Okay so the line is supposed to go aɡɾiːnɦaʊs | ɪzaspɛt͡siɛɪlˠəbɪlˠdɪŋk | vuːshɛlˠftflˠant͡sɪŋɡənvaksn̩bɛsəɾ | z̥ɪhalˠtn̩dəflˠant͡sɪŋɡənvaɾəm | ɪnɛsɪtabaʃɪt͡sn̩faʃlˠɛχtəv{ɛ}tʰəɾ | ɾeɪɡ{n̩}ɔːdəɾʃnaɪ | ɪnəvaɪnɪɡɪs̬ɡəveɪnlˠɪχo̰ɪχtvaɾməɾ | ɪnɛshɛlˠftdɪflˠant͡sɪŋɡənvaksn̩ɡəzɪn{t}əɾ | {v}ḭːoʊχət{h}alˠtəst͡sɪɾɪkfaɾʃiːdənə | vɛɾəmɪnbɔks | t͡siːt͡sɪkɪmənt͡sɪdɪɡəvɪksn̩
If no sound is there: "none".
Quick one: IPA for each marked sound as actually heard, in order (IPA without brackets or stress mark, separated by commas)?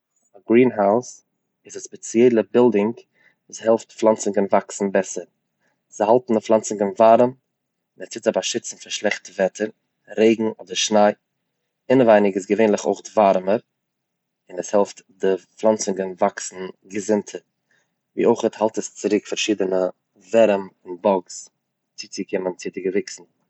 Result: ɛ, ŋ̩, tʰ, v, h